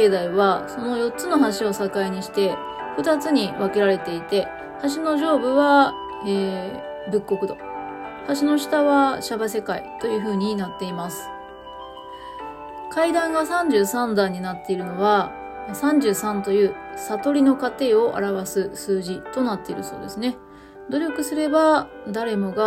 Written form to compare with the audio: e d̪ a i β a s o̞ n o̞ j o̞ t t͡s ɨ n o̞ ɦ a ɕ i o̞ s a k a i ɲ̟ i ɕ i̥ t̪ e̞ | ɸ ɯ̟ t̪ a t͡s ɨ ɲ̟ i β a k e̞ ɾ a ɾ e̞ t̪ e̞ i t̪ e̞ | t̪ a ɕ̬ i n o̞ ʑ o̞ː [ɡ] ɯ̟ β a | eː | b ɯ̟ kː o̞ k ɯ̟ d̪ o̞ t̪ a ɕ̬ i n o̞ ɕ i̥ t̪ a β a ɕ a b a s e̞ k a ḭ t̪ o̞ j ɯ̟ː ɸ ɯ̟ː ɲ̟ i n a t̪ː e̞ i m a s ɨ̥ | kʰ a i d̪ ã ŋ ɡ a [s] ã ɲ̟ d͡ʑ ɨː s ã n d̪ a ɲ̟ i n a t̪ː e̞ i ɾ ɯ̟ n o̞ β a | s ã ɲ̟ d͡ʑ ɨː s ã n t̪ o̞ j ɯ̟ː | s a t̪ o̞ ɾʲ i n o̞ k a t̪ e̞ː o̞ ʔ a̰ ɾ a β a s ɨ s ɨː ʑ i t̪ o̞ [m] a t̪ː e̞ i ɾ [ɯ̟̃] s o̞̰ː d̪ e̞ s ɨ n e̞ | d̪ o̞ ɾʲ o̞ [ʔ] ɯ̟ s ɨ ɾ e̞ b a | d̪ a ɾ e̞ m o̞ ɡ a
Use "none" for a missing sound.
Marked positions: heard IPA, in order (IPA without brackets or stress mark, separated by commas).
b, s, n, ɯ̟, k